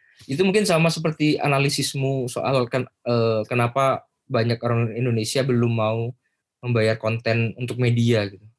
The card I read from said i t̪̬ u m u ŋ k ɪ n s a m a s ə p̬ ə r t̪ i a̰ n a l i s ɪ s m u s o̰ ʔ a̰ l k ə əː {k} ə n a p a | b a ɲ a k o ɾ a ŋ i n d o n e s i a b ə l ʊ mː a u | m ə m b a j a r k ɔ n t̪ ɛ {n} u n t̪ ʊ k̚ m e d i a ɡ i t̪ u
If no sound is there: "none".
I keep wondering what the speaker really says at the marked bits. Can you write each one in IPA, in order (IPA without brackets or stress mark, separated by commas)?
k, n